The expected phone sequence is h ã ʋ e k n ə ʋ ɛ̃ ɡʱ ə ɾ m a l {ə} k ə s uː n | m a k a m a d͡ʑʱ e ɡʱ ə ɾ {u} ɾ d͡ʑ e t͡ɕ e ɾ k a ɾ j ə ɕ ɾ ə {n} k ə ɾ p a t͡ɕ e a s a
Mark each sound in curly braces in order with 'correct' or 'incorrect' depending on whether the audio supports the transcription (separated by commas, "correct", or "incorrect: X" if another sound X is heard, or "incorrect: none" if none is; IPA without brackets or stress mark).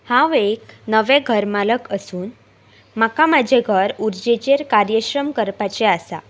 correct, correct, incorrect: m